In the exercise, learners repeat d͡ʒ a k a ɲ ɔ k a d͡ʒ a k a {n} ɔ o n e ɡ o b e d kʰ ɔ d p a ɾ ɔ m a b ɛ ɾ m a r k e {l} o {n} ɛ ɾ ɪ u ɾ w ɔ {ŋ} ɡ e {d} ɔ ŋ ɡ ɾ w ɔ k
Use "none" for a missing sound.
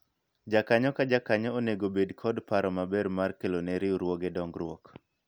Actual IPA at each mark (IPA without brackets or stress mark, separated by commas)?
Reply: ɲ, l, n, none, d